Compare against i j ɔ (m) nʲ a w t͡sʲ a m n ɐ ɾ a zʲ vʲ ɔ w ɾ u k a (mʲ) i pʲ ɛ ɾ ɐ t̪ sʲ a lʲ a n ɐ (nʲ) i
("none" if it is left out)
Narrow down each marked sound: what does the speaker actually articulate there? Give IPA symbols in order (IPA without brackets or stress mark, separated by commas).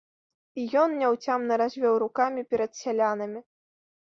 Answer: n, mʲ, mʲ